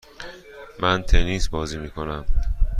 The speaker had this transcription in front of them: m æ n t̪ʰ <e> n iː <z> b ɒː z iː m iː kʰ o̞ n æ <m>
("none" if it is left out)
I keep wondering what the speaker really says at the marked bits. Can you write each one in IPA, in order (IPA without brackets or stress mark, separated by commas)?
e, s, m